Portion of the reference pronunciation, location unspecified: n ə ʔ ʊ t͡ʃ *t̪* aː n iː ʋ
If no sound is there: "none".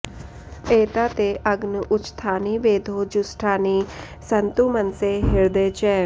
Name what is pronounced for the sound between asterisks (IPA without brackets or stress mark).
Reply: t̪ʰ